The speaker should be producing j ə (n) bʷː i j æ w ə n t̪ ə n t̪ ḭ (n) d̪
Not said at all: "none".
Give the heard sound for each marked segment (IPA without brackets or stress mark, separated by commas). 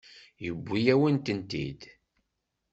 none, none